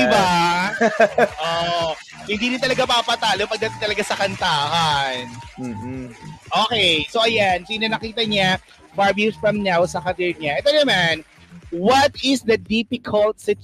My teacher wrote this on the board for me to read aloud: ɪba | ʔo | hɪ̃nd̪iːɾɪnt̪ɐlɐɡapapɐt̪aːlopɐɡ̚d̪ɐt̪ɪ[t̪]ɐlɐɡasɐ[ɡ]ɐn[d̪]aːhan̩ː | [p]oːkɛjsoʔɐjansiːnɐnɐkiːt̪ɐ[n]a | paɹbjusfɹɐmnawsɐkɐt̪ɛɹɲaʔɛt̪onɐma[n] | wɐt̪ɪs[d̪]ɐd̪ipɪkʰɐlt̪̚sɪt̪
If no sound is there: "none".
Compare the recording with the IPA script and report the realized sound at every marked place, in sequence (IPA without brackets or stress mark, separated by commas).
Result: t̪, k, t̪, ʔ, ɲ, n, d̪